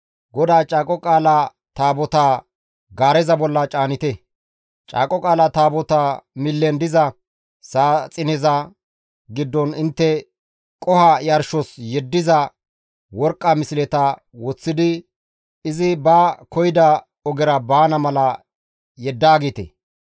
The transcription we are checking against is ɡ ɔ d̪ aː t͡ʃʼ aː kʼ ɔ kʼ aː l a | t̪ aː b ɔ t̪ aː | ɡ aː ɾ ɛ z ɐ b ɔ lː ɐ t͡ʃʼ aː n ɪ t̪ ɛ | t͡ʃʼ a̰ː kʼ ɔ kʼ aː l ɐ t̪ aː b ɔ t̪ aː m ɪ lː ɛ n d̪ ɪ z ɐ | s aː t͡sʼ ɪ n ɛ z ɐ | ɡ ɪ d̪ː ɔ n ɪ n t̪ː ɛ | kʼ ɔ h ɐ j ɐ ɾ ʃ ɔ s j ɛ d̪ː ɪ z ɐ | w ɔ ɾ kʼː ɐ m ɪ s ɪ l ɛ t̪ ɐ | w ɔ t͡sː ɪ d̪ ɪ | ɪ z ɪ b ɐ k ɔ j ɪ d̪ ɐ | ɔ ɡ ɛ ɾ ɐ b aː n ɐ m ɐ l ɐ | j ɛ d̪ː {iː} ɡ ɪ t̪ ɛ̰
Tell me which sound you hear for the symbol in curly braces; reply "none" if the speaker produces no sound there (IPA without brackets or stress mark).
aː